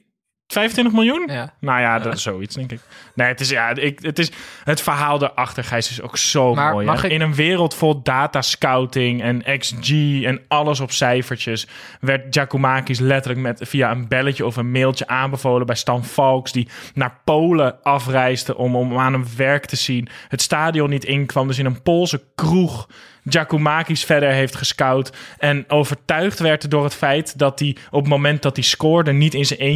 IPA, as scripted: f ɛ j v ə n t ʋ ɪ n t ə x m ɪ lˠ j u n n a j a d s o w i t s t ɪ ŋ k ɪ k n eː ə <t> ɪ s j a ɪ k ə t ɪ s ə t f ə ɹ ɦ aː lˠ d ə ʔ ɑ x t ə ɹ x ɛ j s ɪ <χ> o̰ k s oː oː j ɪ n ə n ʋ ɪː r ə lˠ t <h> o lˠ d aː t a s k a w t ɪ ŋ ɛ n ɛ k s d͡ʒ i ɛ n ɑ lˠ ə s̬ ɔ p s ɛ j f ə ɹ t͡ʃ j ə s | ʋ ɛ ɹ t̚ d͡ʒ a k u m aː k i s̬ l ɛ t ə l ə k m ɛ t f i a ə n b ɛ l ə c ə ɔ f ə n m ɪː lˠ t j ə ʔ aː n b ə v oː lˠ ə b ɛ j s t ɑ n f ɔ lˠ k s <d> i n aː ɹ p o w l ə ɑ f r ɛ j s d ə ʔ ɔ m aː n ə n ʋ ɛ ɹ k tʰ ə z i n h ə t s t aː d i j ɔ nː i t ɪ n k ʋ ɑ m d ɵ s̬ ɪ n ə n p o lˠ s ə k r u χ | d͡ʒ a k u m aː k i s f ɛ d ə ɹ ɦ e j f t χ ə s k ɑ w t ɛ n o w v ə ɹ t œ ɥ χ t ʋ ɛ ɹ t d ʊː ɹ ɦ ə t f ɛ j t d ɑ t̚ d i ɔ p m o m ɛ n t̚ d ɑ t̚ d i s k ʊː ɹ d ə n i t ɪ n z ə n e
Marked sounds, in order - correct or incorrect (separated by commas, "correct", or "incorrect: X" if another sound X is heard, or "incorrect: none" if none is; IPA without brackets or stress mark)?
correct, incorrect: s, incorrect: f, correct